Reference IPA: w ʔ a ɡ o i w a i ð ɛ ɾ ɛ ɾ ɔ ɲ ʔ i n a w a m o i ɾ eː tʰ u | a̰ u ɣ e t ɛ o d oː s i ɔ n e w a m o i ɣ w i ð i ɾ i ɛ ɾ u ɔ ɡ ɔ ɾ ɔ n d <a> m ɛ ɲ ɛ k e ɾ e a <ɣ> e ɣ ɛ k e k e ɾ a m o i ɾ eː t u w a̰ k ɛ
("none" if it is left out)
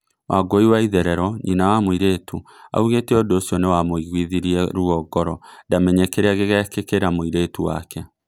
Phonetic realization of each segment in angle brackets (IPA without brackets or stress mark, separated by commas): a, ɣ